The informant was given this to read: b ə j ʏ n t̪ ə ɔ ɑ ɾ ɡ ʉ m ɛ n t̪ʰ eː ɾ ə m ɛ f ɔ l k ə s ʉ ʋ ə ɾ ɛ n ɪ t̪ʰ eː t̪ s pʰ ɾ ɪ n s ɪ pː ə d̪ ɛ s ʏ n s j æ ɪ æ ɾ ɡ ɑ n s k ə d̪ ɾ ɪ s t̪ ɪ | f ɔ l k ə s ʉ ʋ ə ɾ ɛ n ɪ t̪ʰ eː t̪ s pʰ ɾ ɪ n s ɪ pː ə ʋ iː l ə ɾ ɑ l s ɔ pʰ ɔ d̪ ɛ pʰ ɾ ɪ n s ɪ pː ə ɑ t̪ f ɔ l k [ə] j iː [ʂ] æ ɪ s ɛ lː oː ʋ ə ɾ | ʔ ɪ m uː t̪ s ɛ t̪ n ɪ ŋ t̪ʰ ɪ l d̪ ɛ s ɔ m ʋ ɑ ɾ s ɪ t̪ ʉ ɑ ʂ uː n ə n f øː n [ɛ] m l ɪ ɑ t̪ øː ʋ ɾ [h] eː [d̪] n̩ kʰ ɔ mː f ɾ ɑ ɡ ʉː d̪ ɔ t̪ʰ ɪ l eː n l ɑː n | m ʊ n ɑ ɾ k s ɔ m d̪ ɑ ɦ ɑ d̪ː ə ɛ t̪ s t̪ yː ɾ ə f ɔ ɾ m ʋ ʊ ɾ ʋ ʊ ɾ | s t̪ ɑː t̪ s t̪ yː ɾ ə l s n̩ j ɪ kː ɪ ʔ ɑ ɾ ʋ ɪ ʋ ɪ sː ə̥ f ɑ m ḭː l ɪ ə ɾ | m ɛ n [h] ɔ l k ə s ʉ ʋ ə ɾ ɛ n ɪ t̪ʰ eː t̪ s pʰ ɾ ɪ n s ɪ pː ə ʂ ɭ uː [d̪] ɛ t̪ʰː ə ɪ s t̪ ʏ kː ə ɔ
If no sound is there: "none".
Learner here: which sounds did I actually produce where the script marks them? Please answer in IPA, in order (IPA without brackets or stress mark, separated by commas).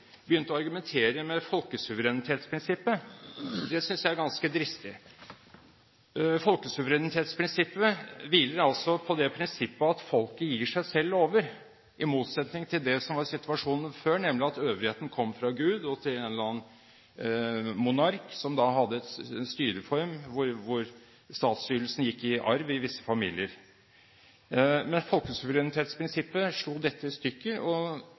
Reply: ə, ʂ, ɛ, h, t̪, f, d̪